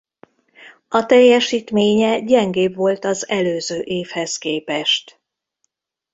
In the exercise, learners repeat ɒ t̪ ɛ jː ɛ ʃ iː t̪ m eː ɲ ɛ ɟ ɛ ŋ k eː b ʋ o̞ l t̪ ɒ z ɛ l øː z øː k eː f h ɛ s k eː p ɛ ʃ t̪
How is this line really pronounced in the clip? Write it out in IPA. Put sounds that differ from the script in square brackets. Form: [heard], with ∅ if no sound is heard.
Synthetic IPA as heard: ɒ t̪ ɛ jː ɛ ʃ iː t̪ m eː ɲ ɛ ɟ ɛ ŋ [ɡ] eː b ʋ o̞ l t̪ ɒ z ɛ l øː z øː [ʔ] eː f h ɛ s k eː p ɛ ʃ t̪